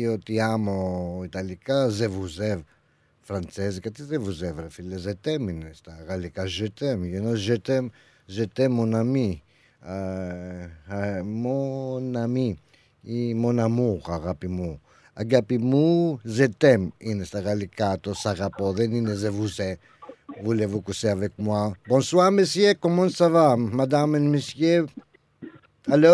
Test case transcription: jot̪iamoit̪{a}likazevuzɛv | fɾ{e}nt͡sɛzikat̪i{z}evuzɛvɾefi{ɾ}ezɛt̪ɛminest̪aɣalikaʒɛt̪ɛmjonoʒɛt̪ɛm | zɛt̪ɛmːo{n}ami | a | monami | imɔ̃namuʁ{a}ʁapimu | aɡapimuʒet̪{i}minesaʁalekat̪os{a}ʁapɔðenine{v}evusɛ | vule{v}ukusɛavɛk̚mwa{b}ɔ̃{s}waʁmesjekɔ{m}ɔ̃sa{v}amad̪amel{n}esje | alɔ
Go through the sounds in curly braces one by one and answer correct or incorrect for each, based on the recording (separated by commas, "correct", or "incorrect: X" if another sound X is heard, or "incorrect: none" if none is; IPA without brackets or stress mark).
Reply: correct, incorrect: a, correct, incorrect: l, correct, correct, incorrect: ɛ, correct, incorrect: z, correct, correct, correct, correct, correct, incorrect: m